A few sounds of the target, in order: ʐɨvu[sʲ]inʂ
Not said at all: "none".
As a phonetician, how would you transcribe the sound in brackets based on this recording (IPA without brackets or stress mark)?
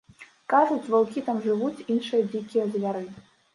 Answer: t͡sʲ